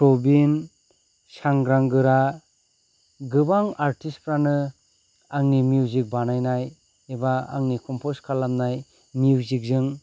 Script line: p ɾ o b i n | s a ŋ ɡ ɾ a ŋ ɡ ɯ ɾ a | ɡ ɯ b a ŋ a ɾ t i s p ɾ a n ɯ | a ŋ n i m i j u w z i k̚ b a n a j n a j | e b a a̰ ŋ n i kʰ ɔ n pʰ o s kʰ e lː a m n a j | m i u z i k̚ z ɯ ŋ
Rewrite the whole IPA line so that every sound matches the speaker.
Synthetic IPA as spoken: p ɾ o b i n | s a ŋ ɡ ɾ a ŋ ɡ ɯ ɾ a | ɡ ɯ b a ŋ a ɾ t i s p ɾ a n ɯ | a ŋ n i m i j u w z i k̚ b a n a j n a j | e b a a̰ ŋ n i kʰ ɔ m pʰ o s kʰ a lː a m n a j | m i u z i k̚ z ɯ ŋ